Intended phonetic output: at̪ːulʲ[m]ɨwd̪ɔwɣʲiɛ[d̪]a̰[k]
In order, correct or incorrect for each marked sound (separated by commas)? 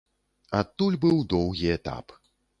incorrect, incorrect, incorrect